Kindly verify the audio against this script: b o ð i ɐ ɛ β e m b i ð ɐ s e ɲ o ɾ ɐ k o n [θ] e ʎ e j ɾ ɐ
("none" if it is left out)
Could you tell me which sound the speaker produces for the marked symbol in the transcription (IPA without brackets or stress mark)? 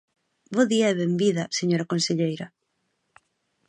s